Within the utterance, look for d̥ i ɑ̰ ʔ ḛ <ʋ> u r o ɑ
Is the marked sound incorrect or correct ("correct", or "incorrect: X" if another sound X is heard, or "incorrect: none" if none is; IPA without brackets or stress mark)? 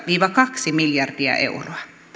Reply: incorrect: none